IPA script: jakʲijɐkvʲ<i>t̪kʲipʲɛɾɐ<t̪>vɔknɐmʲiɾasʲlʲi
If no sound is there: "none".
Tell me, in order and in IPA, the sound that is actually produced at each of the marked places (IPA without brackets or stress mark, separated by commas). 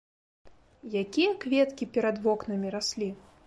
ɛ, d̪